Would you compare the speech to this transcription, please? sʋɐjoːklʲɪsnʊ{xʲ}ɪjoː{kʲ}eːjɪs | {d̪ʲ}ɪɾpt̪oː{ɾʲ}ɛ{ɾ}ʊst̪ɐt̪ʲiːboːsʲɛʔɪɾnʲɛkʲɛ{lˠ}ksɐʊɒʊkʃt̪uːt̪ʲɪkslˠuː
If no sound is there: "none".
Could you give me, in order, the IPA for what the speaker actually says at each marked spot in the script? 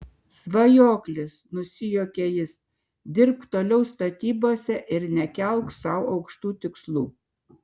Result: sʲ, kʲ, d̪ʲ, lʲ, none, lˠ

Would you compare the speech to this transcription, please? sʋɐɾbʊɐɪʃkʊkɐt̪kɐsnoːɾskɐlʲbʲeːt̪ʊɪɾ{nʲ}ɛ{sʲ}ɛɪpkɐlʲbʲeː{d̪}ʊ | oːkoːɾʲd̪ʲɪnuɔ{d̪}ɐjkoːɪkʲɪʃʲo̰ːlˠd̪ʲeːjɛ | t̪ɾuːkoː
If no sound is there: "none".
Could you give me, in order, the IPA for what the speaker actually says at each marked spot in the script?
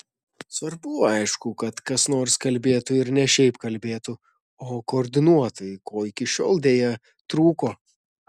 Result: nʲ, ʃʲ, t̪, t̪

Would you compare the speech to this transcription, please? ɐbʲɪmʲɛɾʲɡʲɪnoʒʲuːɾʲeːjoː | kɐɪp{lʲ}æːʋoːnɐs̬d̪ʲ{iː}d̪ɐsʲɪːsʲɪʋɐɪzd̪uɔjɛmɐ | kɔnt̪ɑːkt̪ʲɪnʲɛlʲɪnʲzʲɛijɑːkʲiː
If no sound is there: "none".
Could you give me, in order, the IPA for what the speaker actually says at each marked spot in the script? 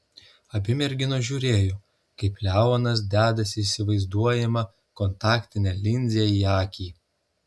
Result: lʲ, æː

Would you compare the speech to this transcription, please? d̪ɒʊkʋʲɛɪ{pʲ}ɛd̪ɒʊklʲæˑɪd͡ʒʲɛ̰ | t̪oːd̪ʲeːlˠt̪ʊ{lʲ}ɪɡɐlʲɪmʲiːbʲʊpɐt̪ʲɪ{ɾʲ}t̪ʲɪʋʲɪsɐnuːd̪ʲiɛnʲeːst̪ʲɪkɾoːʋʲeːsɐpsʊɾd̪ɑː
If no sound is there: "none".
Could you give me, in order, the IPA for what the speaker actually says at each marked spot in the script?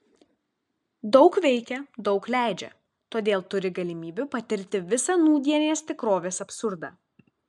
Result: kʲ, ɾʲ, ɾʲ

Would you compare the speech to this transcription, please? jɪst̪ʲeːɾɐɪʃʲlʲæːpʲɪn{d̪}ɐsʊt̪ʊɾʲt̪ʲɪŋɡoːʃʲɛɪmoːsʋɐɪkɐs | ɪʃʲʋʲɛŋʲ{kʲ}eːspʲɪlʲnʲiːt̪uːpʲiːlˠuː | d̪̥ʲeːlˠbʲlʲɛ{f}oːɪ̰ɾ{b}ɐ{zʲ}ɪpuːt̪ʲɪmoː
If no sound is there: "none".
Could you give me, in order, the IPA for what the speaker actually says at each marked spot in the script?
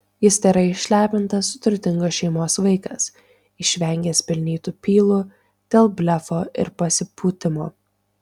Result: t̪, ɡʲ, f, p, sʲ

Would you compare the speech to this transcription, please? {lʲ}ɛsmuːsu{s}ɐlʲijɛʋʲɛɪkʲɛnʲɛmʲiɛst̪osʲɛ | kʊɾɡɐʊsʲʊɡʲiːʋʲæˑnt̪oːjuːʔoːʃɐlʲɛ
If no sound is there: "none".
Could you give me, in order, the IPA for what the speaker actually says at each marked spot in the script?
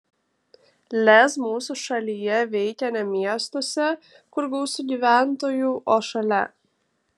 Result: lʲ, ʃ

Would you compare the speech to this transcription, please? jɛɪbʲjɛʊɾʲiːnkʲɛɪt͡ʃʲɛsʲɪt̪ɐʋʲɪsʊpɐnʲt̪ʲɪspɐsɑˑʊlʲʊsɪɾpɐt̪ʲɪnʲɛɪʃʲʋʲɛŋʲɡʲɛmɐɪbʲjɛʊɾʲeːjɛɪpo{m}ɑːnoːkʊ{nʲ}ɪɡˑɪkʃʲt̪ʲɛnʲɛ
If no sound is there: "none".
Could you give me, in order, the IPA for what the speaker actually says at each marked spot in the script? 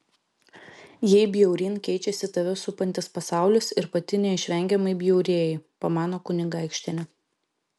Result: m, nʲ

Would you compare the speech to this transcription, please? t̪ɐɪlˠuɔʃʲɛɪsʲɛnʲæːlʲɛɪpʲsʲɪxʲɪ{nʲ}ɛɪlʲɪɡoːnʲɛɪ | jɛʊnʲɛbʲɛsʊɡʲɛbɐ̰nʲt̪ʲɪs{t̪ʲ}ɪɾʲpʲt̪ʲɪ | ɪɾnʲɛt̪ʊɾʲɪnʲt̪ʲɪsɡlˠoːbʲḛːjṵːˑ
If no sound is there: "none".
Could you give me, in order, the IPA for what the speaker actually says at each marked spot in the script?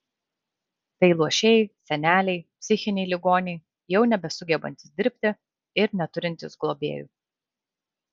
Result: nʲ, d̪ʲ

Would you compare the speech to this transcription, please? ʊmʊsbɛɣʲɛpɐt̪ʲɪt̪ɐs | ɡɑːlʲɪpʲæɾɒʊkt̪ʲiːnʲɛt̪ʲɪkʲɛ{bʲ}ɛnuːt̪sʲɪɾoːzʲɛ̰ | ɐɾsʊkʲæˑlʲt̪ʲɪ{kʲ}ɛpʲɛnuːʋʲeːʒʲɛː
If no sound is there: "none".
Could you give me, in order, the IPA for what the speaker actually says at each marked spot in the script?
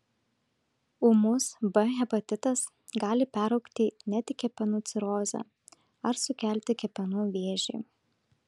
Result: pʲ, kʲ

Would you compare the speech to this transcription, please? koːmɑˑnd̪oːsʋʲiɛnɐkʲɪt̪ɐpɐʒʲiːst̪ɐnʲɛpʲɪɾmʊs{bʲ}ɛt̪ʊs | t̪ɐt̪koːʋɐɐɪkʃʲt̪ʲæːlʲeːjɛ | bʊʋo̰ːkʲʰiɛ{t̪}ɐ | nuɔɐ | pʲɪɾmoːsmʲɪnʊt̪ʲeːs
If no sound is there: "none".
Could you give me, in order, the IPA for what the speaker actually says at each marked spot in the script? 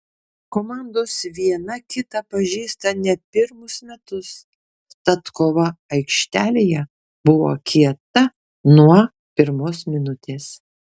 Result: mʲ, t̪

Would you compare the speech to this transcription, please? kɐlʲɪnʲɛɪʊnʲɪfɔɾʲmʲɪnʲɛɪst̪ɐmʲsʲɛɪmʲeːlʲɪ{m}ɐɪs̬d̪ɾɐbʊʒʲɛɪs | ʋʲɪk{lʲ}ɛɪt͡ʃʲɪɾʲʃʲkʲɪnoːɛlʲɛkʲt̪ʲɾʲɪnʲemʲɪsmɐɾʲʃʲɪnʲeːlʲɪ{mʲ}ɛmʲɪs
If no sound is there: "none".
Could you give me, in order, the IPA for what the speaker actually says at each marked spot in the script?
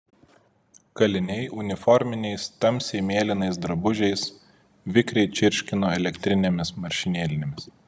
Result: n, ɾʲ, nʲ

